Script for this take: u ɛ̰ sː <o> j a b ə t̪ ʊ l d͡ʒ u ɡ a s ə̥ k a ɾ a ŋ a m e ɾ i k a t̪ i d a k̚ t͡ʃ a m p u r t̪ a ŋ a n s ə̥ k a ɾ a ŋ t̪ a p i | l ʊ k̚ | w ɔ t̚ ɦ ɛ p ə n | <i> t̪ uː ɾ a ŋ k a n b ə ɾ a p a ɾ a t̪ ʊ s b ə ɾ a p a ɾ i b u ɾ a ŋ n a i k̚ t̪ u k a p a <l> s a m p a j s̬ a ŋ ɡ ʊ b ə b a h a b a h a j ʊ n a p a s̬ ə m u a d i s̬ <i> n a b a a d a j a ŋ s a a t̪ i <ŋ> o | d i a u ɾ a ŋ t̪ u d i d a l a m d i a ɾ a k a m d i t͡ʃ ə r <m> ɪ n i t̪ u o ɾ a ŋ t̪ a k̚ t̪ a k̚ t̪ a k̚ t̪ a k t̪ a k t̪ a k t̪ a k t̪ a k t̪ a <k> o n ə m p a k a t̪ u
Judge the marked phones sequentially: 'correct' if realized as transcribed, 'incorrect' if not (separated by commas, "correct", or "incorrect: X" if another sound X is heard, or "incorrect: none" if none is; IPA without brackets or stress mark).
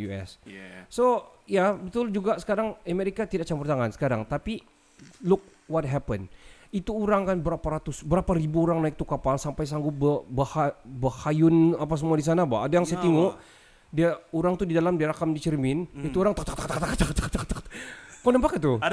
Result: correct, correct, correct, incorrect: a, correct, correct, correct